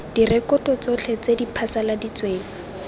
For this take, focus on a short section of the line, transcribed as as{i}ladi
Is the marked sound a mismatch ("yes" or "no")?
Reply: yes